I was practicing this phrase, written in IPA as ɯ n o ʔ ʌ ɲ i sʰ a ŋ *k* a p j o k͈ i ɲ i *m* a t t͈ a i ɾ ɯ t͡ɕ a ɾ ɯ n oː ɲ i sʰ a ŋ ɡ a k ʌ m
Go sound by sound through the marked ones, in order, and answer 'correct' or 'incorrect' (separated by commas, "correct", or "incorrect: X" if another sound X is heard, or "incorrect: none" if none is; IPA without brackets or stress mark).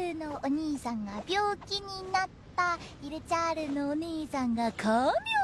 incorrect: ɡ, incorrect: n